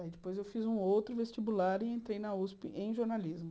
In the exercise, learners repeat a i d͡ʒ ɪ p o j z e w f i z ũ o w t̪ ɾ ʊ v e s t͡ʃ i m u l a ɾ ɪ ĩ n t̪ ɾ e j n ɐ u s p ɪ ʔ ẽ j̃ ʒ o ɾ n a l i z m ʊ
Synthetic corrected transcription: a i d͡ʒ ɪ p o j z e w f i z ũ o w t̪ ɾ ʊ v e s t͡ʃ i b u l a ɾ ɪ ẽ n t̪ ɾ e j n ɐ u s p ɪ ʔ ẽ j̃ ʒ o ɾ n a l i z m ʊ

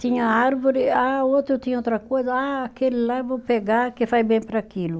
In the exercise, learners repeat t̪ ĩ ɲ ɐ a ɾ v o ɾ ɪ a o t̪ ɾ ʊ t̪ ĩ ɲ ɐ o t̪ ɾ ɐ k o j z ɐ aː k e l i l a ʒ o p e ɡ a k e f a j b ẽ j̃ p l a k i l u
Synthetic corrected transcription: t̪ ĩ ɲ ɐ a ɾ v o ɾ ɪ a o t̪ ɾ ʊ t̪ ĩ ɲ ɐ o t̪ ɾ ɐ k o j z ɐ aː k e l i l a v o p e ɡ a k e f a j b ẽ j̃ p ɾ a k i l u

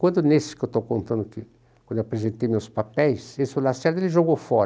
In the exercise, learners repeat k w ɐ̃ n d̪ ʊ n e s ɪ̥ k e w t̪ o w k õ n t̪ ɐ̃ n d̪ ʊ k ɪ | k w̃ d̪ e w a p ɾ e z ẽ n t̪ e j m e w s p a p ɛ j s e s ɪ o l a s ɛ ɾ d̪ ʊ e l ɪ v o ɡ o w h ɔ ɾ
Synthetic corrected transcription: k w ɐ̃ n d̪ ʊ n e s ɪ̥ k e w t̪ o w k õ n t̪ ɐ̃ n d̪ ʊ k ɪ | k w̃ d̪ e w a p ɾ e z ẽ n t̪ e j m e w s p a p ɛ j s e s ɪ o l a s ɛ ɾ d̪ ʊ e l ɪ ʒ o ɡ o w f ɔ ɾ

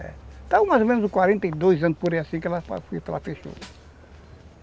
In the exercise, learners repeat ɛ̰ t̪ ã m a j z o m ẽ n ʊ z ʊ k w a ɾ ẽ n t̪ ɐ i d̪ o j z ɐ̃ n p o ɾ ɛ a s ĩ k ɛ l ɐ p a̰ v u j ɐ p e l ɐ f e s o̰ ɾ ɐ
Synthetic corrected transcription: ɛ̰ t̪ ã m a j z o m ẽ n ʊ z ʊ k w a ɾ ẽ n t̪ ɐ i d̪ o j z ɐ̃ n p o ɾ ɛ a s ĩ k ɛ l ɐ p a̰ f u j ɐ p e l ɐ f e ʃ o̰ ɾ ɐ

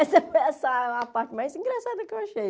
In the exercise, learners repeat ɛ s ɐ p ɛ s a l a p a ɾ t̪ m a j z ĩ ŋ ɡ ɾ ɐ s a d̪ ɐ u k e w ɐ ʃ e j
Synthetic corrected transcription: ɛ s ɐ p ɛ s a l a p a ɾ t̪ m a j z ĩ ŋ ɡ ɾ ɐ s a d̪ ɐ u k e w ɐ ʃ e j

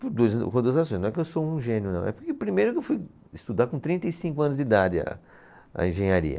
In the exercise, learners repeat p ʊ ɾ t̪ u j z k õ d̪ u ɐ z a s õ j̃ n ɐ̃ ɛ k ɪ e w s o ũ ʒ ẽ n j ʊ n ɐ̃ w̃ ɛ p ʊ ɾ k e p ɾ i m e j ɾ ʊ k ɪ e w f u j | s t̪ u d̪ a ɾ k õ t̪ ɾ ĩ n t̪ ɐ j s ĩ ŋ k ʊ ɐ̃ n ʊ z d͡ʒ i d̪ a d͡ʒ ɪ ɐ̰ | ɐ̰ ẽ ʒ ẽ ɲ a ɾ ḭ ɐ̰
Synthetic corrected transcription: p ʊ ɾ d̪ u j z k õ d̪ u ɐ z a s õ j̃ n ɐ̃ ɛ k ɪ e w s o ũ ʒ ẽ n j ʊ n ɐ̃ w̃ ɛ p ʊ ɾ k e p ɾ i m e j ɾ ʊ k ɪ e w f u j | s t̪ u d̪ a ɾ k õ t̪ ɾ ĩ n t̪ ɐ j s ĩ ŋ k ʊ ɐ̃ n ʊ z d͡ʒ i d̪ a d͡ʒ ɪ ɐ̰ | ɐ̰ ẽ ʒ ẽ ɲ a ɾ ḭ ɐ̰

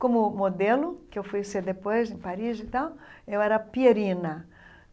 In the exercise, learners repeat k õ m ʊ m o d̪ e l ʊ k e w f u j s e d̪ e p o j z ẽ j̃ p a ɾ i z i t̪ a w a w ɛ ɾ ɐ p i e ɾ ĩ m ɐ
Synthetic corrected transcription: k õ m ʊ m o d̪ e l ʊ k e w f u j s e d̪ e p o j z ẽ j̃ p a ɾ i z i t̪ a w e w ɛ ɾ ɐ p i e ɾ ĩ n ɐ

